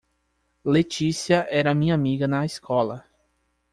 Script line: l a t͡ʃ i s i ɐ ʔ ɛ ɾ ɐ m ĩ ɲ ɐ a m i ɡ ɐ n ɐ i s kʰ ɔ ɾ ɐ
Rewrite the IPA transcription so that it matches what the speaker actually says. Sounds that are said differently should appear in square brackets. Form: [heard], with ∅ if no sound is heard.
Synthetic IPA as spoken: l [e] t͡ʃ i s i ɐ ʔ ɛ ɾ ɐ m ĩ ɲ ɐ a m i ɡ ɐ n ɐ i s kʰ ɔ [l] ɐ